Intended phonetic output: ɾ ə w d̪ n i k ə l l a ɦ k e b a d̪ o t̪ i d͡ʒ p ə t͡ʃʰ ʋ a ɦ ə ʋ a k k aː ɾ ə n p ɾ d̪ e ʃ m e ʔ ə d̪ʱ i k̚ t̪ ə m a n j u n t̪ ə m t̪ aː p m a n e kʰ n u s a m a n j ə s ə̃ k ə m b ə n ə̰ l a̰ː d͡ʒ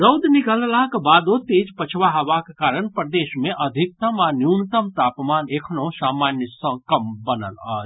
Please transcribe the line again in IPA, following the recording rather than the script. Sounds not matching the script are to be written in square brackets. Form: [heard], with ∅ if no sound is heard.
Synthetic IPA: ɾ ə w d̪ n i k ə l l a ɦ k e b a d̪ o t̪ i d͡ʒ p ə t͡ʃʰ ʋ a ɦ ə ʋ a k k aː ɾ ə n p ɾ d̪ e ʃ m e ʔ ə d̪ʱ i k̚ t̪ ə m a n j u n t̪ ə m t̪ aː p m a n e kʰ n [o] s a m a n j ə s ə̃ k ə m b ə n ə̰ l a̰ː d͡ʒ